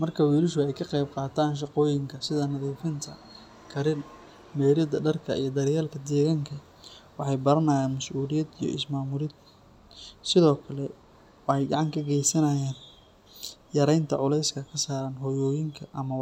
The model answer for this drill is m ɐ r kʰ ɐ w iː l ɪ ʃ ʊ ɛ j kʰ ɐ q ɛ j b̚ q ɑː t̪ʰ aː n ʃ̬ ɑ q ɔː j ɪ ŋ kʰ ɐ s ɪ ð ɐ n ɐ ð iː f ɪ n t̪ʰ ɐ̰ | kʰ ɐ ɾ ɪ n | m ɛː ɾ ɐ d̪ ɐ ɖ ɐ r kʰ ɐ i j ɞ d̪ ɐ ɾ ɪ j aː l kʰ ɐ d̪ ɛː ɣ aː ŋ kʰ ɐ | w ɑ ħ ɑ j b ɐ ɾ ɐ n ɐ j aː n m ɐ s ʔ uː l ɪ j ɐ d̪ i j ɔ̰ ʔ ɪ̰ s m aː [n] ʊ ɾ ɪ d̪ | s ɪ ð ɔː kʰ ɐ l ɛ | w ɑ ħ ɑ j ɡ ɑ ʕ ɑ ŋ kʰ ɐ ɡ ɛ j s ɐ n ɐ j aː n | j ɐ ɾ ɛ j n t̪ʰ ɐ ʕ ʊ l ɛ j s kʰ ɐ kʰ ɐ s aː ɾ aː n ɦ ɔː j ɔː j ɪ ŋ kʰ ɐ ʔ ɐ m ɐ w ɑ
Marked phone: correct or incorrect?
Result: incorrect